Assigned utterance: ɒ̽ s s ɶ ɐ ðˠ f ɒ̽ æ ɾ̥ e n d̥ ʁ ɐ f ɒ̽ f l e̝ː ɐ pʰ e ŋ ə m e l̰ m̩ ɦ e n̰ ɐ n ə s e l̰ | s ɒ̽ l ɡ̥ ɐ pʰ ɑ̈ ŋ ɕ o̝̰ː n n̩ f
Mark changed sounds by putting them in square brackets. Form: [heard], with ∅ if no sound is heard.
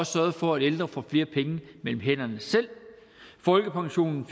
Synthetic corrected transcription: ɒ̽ s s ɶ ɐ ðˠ f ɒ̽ æ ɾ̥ e n d̥ ʁ ɐ f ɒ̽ f l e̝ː ɐ pʰ e ŋ ə m e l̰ m̩ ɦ e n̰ ɐ n ə s e l̰ | [f] ɒ̽ l ɡ̥ [ə] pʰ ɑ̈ ŋ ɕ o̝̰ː n n̩ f